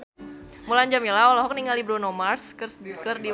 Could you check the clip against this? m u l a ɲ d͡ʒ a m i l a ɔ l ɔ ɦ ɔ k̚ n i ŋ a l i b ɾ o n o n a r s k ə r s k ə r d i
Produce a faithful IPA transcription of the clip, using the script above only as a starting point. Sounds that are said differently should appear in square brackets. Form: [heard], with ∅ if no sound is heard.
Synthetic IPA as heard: m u l a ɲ d͡ʒ a m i l a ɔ l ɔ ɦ ɔ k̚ n i ŋ a l i b ɾ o n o [m] a r s k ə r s k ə r d i